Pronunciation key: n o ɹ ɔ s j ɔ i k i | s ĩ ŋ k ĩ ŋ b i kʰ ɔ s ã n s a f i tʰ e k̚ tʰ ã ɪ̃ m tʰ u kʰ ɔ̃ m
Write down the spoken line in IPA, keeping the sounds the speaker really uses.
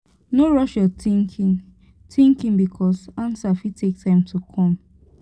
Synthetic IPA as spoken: n o ɹ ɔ ʃ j ɔ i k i | t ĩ ŋ k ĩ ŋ b i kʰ ɔ s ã n s a f i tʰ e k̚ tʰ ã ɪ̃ m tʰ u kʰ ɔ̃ m